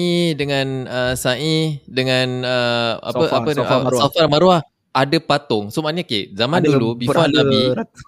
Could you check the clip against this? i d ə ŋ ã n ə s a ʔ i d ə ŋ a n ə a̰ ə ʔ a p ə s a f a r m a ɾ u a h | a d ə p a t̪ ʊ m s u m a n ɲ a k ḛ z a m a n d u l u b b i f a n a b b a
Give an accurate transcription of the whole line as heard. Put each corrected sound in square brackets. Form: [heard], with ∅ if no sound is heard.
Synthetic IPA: i d ə ŋ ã n ə s a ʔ i d ə ŋ a n ə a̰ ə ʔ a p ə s a f a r m a ɾ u a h | a d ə p a t̪ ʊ [ŋ] s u m a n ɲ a k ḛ z a m a n d u l u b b i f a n a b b [i]